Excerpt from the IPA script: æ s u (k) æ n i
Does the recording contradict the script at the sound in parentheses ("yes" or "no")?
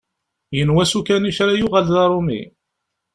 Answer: no